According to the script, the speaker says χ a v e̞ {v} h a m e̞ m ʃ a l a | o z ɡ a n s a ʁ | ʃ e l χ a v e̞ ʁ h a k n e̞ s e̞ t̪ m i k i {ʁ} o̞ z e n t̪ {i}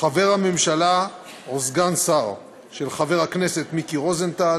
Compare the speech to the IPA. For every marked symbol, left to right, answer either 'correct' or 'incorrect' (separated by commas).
incorrect, correct, incorrect